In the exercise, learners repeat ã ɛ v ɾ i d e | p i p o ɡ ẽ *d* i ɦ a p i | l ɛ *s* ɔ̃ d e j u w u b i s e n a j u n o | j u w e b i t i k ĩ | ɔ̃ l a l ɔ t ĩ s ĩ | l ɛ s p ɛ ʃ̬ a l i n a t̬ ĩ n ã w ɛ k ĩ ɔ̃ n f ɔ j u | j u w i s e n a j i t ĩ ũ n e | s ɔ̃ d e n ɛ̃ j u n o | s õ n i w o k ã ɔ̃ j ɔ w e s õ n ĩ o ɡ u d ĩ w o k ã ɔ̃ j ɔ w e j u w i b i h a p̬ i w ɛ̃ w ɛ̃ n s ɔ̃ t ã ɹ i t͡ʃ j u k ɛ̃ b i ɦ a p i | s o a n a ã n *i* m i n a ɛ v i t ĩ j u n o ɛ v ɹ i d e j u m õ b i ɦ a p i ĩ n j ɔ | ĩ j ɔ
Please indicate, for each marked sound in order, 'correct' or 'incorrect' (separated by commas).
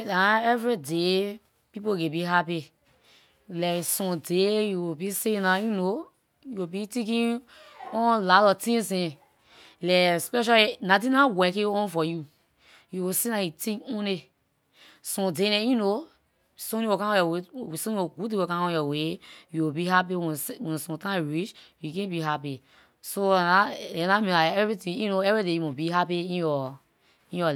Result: incorrect, correct, incorrect